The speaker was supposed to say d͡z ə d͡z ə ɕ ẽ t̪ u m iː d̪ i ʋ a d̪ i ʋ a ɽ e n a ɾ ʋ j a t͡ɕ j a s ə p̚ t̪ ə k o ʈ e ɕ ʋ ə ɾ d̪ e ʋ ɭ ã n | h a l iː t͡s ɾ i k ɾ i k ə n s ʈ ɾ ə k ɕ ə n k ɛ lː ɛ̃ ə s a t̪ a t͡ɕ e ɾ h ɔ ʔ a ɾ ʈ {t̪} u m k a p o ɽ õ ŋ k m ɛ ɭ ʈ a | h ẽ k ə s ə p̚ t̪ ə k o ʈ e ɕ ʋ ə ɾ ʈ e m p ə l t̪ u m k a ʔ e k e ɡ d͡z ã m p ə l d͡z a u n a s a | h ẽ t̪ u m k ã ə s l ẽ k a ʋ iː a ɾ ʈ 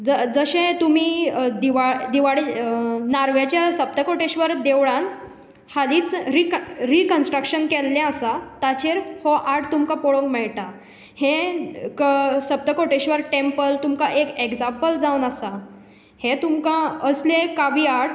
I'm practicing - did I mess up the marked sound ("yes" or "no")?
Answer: no